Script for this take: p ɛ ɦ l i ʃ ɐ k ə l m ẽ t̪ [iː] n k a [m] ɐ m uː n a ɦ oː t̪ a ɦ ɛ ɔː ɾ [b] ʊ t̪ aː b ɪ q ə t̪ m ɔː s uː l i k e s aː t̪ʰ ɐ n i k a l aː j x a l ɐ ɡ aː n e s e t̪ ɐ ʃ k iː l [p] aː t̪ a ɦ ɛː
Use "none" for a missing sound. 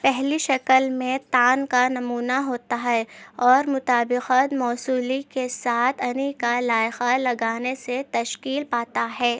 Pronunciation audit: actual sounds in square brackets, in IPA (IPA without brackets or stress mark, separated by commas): aː, n, m, p